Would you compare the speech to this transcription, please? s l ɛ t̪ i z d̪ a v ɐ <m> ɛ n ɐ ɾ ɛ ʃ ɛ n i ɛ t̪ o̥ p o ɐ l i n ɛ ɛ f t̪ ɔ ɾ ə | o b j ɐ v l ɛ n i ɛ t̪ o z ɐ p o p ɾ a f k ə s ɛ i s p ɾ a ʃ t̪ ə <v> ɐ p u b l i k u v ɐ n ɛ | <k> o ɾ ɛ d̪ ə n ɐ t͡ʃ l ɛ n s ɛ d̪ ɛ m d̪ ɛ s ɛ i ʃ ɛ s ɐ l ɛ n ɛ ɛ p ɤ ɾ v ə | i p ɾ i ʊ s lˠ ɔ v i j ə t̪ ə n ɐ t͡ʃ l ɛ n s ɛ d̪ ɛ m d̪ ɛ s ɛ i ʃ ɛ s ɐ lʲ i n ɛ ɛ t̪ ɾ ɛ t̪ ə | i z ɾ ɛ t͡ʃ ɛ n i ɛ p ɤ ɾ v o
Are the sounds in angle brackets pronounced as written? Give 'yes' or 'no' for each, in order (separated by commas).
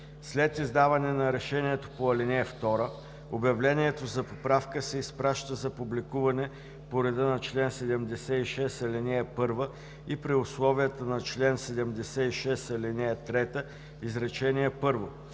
no, no, no